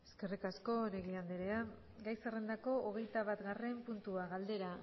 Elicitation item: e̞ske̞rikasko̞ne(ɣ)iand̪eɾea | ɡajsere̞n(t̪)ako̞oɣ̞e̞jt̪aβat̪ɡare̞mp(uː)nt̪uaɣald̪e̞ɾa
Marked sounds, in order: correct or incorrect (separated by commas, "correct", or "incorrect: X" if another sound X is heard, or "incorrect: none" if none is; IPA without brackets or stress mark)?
correct, incorrect: d̪, incorrect: u